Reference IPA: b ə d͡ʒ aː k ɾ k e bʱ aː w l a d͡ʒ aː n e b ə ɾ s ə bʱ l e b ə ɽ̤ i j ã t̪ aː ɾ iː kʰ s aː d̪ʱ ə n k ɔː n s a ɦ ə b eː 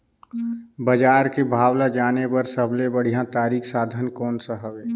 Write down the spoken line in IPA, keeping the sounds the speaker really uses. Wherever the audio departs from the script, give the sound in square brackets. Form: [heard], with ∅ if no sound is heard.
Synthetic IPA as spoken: b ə d͡ʒ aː [∅] ɾ k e bʱ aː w l a d͡ʒ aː n e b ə ɾ s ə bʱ l e b ə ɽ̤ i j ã t̪ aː ɾ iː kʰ s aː d̪ʱ ə n k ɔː n s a ɦ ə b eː